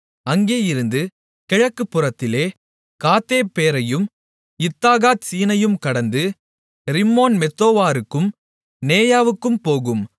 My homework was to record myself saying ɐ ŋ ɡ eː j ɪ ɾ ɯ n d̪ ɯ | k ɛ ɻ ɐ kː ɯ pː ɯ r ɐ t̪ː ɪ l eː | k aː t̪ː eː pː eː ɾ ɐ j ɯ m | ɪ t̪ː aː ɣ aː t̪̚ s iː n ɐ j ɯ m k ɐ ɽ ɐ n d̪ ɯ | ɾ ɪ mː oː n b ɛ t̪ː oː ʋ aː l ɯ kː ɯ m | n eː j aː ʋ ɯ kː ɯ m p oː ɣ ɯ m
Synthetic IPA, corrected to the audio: ɐ ŋ ɡ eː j ɪ ɾ ɯ n d̪ ɯ | k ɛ ɻ ɐ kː ɯ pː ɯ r ɐ t̪ː ɪ l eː | k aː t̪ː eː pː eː ɾ ɐ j ɯ m | ɪ t̪ː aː ɣ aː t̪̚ s iː n ɐ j ɯ m k ɐ ɽ ɐ n d̪ ɯ | ɾ ɪ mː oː n m ɛ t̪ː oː ʋ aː ɾ ɯ kː ɯ m | n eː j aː ʋ ɯ kː ɯ m p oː ɣ ɯ m